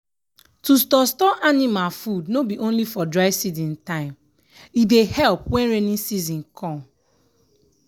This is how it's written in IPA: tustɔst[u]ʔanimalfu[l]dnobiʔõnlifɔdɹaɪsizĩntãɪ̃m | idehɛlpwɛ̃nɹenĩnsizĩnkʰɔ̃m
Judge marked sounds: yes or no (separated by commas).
no, no